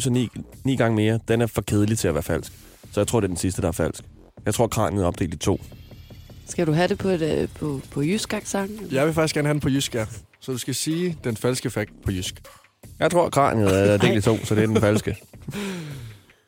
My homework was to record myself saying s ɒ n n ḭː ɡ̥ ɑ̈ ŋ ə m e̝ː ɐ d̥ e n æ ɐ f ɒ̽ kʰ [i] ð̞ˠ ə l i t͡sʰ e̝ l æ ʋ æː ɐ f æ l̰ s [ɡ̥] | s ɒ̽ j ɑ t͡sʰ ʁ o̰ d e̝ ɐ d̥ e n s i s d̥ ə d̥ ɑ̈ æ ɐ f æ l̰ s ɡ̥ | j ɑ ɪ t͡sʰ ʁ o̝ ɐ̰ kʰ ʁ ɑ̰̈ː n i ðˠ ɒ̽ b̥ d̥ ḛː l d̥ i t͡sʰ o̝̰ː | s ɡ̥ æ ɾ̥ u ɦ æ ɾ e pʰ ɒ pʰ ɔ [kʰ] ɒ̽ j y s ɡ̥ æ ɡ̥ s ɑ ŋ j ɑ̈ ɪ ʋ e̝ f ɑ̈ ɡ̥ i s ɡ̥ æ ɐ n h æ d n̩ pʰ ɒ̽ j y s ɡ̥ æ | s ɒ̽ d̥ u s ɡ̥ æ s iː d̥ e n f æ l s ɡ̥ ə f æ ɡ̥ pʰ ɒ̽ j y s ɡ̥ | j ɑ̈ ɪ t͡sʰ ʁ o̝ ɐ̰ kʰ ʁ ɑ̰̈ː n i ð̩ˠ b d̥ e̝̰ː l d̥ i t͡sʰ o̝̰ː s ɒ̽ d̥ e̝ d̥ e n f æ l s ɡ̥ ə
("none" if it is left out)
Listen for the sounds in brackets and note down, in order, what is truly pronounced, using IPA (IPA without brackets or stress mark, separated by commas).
e, ɡ̥, pʰ